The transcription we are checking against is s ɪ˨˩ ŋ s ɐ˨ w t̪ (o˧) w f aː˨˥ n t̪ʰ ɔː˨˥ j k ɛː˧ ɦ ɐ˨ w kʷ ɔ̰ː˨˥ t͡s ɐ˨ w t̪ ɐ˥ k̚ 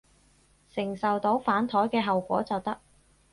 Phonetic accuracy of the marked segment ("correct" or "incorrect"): incorrect